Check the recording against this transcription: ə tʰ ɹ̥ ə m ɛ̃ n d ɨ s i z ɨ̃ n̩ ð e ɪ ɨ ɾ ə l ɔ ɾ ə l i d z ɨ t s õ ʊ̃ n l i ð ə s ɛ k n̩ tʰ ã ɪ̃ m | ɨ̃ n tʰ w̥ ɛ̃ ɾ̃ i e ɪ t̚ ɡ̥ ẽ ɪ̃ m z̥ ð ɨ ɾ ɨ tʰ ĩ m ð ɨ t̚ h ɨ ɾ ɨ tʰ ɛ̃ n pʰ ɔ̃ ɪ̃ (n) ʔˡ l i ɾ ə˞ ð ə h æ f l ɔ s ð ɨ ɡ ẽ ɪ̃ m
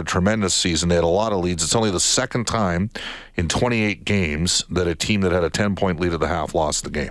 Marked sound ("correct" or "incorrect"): correct